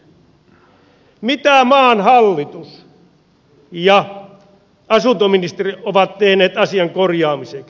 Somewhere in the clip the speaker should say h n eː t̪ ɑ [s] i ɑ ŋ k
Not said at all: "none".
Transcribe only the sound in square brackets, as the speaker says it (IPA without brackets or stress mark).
s